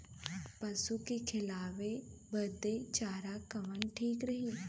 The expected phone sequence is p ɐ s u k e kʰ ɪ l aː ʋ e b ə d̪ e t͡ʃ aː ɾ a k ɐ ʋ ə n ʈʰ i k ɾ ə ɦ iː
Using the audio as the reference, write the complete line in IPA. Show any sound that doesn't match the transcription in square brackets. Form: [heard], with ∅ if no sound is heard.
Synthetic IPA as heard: p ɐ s u k e kʰ ɪ l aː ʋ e b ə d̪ e t͡ʃ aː ɾ a k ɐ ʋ ə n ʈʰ [iː] k ɾ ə ɦ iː